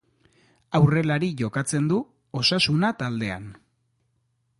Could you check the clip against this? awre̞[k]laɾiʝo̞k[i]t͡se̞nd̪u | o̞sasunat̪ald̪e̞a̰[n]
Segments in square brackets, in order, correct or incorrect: incorrect, incorrect, correct

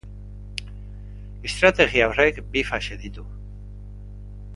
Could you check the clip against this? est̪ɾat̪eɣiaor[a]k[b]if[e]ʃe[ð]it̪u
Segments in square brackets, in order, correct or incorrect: incorrect, correct, incorrect, correct

